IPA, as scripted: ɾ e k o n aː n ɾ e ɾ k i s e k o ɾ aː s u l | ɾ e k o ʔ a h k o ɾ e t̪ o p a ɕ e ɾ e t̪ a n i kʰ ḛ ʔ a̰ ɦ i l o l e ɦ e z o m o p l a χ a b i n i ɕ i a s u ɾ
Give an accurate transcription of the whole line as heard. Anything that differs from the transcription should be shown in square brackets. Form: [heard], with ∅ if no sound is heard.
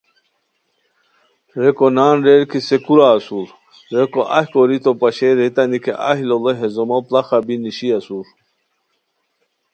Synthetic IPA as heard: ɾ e k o n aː n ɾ e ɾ k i s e k [u] ɾ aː s u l | ɾ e k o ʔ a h k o ɾ [i] t̪ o p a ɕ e ɾ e t̪ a n i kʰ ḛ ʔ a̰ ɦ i l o l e ɦ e z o m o p l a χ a b i n i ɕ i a s u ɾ